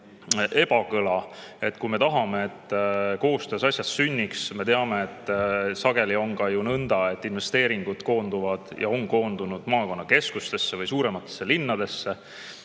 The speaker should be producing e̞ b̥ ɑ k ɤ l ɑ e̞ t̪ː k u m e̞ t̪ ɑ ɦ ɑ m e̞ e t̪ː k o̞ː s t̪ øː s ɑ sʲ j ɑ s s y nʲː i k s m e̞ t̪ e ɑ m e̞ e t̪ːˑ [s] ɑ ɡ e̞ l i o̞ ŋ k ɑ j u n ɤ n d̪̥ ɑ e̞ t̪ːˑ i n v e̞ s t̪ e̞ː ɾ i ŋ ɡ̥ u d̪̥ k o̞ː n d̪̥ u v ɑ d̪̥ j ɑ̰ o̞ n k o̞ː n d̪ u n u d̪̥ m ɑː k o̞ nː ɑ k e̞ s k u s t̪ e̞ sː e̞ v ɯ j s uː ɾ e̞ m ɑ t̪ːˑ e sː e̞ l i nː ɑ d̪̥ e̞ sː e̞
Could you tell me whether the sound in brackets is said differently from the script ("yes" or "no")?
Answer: no